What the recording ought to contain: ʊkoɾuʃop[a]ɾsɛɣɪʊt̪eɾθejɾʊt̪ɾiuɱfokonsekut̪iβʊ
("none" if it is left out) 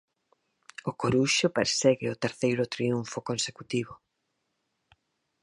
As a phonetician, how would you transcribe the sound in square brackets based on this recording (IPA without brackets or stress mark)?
e